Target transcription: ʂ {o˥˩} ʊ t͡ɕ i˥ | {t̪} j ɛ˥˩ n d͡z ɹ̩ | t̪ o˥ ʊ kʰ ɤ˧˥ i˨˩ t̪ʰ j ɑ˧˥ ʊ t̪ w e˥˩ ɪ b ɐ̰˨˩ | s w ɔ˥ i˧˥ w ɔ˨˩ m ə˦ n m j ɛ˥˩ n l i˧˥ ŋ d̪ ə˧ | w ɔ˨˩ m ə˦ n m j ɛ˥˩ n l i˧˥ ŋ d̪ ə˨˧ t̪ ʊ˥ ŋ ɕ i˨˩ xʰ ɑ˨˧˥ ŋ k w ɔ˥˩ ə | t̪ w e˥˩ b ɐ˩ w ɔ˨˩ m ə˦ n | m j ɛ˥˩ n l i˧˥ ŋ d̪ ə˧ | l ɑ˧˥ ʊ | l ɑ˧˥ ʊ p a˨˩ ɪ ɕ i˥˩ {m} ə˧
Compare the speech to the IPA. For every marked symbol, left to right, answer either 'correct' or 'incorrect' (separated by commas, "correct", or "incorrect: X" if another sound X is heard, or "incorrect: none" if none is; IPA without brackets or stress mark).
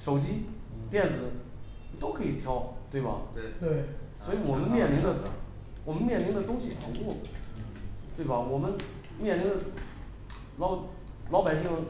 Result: incorrect: o˨˩, correct, incorrect: ŋ